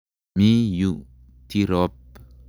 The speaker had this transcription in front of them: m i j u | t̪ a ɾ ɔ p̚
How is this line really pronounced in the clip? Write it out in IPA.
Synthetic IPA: m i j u | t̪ i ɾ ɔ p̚